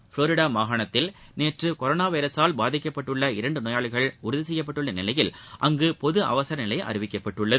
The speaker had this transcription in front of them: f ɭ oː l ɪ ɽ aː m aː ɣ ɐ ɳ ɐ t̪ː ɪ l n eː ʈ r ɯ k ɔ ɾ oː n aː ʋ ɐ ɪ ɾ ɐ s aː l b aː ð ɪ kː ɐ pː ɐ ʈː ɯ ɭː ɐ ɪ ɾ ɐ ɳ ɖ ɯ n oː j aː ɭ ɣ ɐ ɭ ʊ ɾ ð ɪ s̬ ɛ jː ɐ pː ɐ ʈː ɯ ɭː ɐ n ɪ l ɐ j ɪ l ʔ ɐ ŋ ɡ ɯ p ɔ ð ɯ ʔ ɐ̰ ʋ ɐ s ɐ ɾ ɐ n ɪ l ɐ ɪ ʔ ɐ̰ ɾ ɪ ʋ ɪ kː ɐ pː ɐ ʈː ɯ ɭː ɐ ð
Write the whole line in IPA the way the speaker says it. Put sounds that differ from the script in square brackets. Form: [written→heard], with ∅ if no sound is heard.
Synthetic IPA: f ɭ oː [l→ɾ] ɪ ɽ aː m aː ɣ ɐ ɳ ɐ t̪ː ɪ l n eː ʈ r ɯ k ɔ ɾ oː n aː ʋ ɐ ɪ ɾ ɐ s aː l b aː ð ɪ kː ɐ pː ɐ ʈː ɯ ɭː ɐ ɪ ɾ ɐ ɳ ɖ ɯ n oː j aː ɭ ɣ ɐ ɭ ʊ ɾ ð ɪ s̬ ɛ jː ɐ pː ɐ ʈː ɯ ɭː ɐ n ɪ l ɐ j ɪ l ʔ ɐ ŋ ɡ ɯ p ɔ ð ɯ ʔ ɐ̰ ʋ ɐ s ɐ ɾ ɐ n ɪ l ɐ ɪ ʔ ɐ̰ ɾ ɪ ʋ ɪ kː ɐ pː ɐ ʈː ɯ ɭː ɐ ð